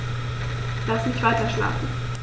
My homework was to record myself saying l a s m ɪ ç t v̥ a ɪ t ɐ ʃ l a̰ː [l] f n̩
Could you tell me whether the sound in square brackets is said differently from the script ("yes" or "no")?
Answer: yes